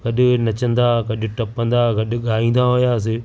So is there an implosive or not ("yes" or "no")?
yes